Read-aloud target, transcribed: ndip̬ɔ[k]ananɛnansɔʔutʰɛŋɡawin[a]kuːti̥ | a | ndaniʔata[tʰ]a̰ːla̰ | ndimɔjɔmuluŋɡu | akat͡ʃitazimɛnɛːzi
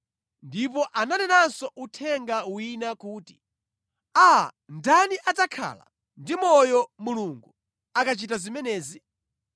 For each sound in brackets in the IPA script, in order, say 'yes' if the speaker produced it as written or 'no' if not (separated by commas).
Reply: no, yes, no